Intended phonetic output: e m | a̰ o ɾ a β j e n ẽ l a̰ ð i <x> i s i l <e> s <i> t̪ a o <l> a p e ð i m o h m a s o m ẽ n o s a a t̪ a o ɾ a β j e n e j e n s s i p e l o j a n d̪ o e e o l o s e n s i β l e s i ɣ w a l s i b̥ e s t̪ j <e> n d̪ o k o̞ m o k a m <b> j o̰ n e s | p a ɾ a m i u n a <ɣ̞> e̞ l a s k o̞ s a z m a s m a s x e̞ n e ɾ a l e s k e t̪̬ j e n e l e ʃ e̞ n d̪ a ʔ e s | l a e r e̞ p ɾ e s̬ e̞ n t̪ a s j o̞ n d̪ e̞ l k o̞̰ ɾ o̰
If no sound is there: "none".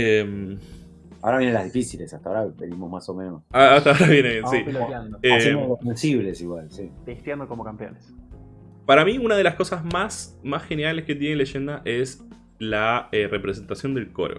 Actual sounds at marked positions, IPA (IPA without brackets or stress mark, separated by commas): f, e, a, ɾ, a, p, ð̞